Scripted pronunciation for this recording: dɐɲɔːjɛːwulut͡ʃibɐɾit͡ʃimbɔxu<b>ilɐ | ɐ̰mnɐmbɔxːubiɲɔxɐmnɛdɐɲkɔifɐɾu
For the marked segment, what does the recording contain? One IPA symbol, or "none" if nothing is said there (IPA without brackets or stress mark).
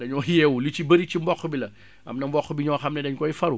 b